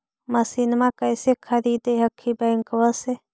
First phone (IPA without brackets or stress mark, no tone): m